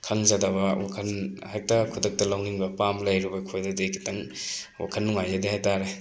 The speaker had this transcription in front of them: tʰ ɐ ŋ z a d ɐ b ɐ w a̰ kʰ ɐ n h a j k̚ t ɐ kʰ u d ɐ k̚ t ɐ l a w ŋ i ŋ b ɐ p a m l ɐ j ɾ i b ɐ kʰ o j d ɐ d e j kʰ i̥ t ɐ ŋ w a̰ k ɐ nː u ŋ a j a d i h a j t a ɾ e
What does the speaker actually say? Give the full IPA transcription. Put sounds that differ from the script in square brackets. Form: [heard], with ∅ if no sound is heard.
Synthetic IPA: [kʰ] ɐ ŋ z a d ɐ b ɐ w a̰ kʰ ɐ n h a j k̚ t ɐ kʰ u d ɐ k̚ t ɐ l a w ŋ i ŋ b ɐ p a m l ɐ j ɾ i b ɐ kʰ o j d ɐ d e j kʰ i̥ t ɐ ŋ w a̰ [kʰ] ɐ nː u ŋ a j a d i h a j t a ɾ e